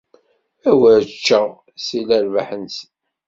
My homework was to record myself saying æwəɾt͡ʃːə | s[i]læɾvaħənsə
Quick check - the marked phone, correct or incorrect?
correct